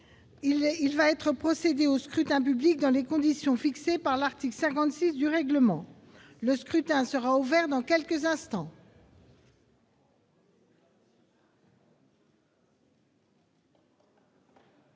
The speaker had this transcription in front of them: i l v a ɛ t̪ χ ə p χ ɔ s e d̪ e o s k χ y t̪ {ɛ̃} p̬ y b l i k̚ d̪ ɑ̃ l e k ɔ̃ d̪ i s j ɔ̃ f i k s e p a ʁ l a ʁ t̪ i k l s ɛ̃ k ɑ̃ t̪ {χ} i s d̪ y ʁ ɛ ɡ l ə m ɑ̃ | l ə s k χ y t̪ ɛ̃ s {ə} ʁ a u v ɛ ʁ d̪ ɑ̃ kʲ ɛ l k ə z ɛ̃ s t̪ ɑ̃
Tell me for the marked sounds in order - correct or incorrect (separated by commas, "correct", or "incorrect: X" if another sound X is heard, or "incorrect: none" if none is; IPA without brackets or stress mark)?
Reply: correct, incorrect: s, correct